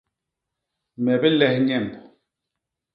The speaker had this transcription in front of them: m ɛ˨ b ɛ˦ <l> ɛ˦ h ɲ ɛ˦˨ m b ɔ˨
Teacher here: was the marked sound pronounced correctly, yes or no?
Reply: yes